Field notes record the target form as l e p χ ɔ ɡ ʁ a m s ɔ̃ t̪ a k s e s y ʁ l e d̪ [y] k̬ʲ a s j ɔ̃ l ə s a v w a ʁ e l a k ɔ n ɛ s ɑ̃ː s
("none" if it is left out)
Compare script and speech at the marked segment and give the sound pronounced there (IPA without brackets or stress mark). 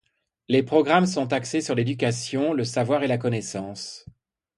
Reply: y